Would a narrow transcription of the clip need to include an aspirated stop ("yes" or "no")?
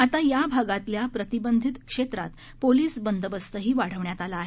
no